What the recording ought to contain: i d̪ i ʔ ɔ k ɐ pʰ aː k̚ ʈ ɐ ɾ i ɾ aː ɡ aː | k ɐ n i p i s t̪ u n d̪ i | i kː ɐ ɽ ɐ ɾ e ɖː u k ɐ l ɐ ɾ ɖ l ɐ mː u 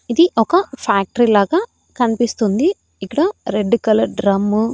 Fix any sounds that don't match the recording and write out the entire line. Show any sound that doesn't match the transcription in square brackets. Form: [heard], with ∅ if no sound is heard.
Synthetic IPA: i d̪ i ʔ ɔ k ɐ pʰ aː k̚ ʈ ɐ ɾ i [l] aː ɡ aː | k ɐ n i p i s t̪ u n d̪ i | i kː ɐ ɽ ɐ ɾ e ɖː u k ɐ l ɐ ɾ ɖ [ɾ] ɐ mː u